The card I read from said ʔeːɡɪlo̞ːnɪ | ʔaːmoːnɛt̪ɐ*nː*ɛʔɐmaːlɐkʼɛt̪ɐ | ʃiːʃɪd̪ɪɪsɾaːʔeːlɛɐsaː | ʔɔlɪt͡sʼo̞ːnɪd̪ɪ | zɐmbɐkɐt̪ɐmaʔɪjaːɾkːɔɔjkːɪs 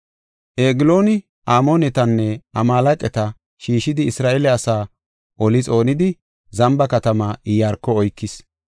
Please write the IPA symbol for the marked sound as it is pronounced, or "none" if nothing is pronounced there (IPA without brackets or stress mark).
nː